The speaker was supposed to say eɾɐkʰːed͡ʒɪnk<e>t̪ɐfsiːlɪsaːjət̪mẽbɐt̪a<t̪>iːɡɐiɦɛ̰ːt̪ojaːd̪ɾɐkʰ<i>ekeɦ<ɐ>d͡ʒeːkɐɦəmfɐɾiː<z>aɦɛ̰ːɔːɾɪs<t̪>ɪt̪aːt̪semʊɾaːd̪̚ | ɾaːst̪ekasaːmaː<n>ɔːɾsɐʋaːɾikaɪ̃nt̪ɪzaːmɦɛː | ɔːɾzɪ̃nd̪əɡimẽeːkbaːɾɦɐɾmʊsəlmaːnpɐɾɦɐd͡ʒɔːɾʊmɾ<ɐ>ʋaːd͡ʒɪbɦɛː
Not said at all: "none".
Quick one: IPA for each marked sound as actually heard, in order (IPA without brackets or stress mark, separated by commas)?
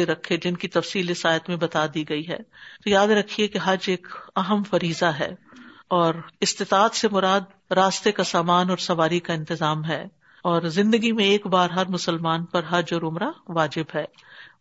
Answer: i, d̪, i, ɐ, z, t̪, n, a